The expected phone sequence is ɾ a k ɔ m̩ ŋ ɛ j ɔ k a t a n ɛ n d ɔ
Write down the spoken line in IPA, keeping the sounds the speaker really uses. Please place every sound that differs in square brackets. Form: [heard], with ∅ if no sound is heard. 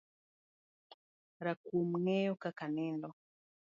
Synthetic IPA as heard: ɾ a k [u] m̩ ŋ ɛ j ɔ k a [k] a n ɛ n d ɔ